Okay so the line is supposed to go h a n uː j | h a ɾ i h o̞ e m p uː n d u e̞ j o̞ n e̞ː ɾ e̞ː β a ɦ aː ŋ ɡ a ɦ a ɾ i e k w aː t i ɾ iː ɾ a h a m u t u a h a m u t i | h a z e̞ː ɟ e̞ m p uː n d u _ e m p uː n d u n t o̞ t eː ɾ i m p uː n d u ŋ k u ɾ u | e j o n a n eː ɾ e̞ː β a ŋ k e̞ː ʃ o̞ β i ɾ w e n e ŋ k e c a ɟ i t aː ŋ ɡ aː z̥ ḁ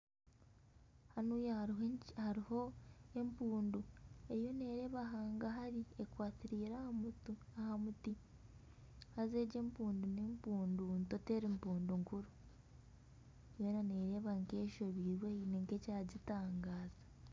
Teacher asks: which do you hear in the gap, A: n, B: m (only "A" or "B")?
A